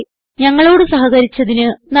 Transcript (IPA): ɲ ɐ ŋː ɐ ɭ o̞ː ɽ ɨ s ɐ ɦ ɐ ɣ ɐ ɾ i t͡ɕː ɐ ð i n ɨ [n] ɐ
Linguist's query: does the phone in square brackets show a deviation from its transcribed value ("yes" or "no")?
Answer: no